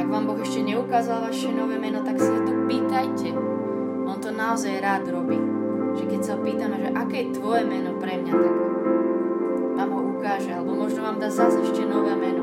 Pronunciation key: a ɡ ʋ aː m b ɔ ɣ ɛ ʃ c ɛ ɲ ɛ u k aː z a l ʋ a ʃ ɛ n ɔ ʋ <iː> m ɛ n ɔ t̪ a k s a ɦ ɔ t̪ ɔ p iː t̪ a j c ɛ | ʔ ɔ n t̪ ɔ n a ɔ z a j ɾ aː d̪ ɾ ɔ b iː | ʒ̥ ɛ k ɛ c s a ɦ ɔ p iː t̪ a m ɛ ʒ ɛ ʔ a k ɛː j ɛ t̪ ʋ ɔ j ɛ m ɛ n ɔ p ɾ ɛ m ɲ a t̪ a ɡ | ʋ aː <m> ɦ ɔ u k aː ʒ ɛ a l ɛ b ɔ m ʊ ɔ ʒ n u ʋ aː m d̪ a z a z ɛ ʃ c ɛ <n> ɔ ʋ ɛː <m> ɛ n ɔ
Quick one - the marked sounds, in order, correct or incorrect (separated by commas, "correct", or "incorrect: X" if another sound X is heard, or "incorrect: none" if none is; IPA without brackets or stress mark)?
incorrect: ɛː, correct, correct, correct